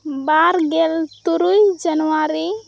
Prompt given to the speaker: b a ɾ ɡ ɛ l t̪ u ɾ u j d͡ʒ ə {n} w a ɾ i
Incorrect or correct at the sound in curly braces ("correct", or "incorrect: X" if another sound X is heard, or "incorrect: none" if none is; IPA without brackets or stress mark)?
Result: correct